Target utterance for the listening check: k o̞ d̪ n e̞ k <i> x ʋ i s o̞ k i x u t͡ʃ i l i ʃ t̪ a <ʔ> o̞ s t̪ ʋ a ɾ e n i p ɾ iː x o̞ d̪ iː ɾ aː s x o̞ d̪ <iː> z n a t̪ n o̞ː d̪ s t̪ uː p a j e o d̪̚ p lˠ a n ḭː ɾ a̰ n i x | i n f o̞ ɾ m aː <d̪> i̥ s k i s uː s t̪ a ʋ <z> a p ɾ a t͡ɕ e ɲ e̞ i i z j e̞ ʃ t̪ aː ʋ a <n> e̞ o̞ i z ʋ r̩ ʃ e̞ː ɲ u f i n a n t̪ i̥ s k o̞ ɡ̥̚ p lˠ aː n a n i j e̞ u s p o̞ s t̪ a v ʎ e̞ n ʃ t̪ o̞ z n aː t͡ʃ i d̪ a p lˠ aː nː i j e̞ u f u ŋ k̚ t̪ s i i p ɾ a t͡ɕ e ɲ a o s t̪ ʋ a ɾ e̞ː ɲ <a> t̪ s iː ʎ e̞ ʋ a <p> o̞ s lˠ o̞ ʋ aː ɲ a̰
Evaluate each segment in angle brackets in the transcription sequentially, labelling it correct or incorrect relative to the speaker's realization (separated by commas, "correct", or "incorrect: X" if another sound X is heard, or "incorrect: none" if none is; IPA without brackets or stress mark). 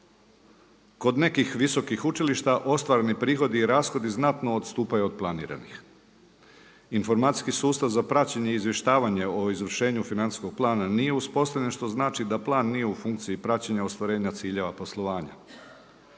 correct, correct, incorrect: i, incorrect: t̪, correct, incorrect: ɲ, correct, correct